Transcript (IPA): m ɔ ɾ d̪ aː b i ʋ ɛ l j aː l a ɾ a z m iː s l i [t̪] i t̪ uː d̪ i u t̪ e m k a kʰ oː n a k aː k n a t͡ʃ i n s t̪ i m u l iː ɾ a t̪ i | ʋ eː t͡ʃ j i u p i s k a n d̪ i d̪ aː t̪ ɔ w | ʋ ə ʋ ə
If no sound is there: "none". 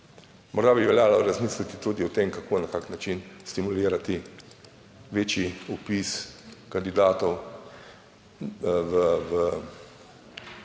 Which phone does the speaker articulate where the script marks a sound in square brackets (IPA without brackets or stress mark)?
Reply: t̪